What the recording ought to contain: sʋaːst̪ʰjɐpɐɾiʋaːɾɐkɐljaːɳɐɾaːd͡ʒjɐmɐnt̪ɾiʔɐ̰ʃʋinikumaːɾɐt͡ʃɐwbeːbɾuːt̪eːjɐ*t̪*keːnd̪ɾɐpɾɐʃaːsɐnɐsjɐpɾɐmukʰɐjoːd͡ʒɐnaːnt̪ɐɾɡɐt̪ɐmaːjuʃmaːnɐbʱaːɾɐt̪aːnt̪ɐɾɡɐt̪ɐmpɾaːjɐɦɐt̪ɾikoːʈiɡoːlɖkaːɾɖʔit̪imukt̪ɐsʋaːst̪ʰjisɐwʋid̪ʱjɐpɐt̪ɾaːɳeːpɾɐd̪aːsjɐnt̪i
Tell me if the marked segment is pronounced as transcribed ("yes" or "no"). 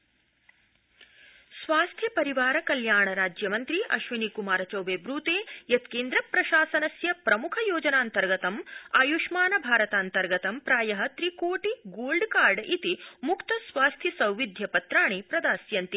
yes